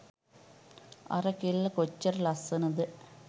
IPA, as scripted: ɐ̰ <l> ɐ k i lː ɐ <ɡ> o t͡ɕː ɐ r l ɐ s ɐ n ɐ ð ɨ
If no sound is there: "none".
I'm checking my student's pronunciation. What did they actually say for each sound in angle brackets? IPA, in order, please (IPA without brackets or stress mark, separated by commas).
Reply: r, k